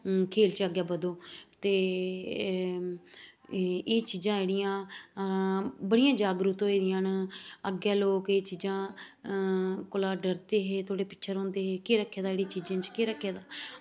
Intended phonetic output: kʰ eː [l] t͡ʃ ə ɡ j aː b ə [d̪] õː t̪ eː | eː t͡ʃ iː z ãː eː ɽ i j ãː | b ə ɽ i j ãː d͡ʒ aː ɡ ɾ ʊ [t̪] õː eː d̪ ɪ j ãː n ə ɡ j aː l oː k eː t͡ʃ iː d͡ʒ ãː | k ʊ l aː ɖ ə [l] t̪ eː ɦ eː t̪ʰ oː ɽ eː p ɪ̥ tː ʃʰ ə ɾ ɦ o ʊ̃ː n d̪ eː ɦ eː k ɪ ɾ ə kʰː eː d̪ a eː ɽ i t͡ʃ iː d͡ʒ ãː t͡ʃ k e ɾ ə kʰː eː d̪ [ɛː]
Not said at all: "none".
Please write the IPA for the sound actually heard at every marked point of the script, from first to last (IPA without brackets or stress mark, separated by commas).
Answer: l, d̪, t̪, ɾ, aː